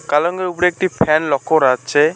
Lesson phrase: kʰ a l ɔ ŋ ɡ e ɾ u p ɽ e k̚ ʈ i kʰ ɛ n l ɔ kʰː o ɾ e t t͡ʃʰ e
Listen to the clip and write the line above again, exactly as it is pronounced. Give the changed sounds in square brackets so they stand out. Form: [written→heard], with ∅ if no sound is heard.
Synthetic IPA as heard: [kʰ→k] a l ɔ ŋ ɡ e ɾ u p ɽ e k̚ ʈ i [kʰ→pʰ] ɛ n l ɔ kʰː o ɾ [e→a] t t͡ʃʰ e